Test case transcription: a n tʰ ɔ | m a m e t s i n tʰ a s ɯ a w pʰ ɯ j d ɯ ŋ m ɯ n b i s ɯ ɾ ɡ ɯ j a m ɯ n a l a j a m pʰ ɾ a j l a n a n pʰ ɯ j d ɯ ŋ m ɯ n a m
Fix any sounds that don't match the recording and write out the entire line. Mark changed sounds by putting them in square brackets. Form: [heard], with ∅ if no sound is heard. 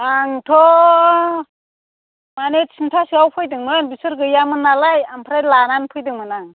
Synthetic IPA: a [ŋ] tʰ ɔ | m a [n] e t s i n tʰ a s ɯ a w pʰ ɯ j d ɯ ŋ m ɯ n b i s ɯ ɾ ɡ ɯ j a m ɯ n a l a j a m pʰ ɾ a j l a n a n pʰ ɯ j d ɯ ŋ m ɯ n a [ŋ]